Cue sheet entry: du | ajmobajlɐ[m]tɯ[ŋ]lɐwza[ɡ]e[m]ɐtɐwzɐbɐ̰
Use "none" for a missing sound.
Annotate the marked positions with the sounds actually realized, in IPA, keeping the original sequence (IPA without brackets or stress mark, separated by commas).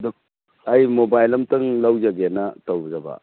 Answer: m, ŋ, ɡ, n